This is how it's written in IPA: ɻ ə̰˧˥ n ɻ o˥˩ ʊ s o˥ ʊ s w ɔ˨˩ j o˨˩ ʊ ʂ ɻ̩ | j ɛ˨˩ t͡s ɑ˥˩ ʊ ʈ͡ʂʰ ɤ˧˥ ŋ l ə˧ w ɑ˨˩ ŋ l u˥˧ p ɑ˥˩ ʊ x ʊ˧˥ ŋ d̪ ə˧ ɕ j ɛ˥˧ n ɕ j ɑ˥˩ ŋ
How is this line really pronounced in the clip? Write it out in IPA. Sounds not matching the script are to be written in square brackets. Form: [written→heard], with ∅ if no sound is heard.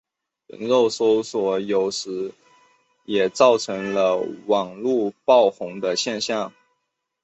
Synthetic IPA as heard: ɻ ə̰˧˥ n ɻ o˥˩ ʊ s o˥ ʊ s w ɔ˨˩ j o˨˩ ʊ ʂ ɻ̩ | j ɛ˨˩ t͡s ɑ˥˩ ʊ ʈ͡ʂʰ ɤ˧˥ ŋ l ə˧ w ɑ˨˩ ŋ l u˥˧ p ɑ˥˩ ʊ x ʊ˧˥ ŋ d̪ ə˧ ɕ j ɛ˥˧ n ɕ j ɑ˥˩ ŋ